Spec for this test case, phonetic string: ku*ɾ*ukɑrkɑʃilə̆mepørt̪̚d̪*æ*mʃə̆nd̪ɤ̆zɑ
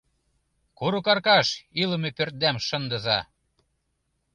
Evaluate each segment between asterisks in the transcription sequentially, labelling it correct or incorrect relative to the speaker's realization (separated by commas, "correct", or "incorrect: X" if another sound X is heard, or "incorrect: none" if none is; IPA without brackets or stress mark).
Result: correct, correct